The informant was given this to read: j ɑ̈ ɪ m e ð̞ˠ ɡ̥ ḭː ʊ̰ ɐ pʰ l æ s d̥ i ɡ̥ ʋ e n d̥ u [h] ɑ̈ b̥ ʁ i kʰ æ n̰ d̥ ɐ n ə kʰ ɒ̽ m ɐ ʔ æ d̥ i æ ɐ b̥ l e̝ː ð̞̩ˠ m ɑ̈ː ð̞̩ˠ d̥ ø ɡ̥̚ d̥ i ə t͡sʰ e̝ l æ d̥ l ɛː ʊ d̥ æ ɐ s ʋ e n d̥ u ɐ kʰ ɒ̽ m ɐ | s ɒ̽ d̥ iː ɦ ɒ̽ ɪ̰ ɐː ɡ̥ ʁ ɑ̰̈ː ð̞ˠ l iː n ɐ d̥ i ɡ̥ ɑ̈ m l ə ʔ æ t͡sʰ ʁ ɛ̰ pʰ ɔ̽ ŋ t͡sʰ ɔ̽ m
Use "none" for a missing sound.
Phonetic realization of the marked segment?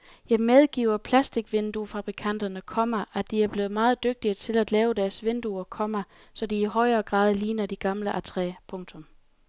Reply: f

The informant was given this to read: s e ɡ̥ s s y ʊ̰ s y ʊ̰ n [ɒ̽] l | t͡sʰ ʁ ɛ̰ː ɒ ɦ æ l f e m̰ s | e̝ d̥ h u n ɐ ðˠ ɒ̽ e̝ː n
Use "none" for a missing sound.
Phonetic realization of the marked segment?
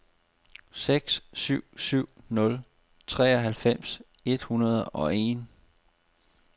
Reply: ɔ̽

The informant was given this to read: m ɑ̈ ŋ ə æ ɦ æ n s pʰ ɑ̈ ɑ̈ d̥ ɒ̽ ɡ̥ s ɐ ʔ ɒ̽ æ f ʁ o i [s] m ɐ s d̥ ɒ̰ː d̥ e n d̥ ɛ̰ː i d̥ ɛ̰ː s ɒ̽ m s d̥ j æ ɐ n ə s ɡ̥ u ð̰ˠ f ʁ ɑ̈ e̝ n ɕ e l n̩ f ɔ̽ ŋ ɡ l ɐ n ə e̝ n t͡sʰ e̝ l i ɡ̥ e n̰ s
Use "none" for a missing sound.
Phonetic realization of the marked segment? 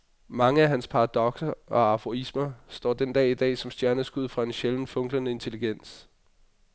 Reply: s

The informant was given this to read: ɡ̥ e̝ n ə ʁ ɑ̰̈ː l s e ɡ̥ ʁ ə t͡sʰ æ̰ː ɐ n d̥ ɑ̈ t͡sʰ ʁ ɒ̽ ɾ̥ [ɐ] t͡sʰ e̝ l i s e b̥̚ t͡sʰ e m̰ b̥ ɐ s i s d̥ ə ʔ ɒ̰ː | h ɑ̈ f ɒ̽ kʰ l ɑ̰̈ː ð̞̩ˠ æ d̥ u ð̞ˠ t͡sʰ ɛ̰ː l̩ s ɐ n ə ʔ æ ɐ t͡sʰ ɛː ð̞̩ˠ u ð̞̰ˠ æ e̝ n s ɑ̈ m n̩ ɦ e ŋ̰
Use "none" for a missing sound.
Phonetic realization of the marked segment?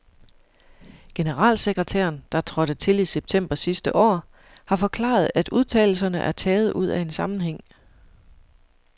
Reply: ə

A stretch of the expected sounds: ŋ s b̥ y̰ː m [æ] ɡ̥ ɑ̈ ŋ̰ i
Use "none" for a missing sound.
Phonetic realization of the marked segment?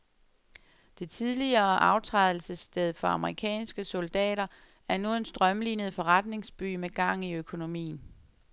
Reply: e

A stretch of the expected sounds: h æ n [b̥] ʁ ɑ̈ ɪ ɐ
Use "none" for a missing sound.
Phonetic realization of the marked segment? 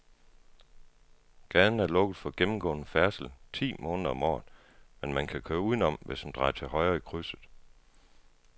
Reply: d̥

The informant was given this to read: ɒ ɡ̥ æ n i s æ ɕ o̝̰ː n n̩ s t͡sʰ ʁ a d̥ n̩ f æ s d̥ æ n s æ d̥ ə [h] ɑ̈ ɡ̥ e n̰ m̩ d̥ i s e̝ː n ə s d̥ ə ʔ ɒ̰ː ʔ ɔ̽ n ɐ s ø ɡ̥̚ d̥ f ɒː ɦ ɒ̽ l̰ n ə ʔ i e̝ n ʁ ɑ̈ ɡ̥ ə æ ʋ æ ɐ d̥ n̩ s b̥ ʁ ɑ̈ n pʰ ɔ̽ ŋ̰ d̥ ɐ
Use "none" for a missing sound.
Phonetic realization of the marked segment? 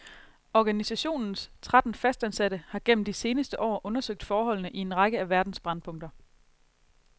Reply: h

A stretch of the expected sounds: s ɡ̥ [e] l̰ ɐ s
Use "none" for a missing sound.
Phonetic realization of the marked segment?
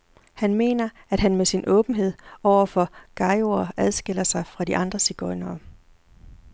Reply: e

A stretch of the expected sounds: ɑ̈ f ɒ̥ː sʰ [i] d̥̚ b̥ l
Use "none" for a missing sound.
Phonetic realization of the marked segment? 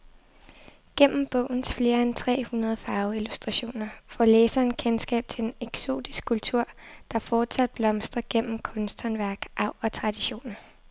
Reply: æ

